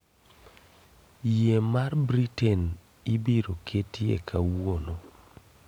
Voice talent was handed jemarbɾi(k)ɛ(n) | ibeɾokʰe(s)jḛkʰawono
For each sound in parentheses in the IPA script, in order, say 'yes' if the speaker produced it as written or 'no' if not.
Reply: no, yes, no

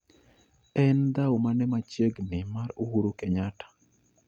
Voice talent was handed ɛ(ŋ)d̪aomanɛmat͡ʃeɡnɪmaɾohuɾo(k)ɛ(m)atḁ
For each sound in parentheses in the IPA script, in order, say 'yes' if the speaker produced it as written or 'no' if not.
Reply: no, yes, no

